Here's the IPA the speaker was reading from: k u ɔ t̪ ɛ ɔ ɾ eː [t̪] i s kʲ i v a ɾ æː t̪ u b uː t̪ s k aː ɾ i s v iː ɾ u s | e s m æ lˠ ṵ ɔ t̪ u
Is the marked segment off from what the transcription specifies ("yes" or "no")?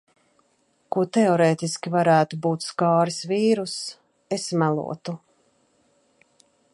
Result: no